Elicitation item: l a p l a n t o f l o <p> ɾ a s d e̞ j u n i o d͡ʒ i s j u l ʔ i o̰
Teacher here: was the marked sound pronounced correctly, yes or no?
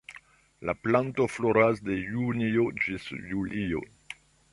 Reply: no